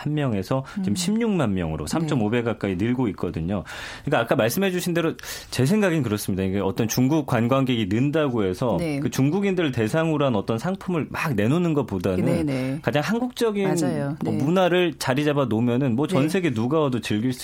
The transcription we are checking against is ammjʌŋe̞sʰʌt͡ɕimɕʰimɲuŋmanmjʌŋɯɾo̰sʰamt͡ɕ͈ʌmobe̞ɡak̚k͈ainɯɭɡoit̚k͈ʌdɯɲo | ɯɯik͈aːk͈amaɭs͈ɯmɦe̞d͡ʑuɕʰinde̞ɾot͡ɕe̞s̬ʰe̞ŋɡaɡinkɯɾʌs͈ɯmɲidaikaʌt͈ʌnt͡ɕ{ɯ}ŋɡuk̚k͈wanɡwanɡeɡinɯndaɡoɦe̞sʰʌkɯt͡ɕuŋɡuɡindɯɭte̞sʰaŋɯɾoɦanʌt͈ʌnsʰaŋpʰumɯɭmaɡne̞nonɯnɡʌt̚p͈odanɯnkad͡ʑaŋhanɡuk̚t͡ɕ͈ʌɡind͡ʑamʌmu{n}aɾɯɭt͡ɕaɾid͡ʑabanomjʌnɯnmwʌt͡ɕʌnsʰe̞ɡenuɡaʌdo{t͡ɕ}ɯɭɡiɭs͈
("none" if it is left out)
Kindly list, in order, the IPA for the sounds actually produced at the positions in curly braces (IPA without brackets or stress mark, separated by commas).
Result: u, n, t͡ɕ